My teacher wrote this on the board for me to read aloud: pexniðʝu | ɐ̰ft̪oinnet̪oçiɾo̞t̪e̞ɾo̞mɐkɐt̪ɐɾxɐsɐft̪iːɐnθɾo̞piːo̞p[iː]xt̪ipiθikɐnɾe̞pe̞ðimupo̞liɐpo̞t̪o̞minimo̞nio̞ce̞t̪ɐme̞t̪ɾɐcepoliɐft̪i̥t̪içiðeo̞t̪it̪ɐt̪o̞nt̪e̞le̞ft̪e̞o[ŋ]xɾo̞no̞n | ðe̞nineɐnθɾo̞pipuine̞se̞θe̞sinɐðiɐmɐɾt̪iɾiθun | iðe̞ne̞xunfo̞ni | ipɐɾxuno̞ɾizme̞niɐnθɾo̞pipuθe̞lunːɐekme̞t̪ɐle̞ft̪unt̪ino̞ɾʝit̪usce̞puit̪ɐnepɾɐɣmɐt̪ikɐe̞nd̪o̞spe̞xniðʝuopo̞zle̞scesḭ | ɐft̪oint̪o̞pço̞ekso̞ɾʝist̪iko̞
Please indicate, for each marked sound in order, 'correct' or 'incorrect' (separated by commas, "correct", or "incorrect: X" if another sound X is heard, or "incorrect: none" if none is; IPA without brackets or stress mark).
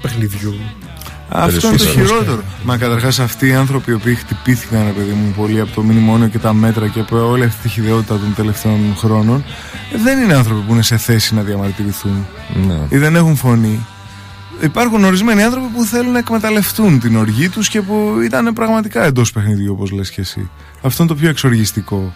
correct, incorrect: n